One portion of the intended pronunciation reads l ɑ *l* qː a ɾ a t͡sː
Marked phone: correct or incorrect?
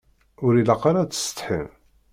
incorrect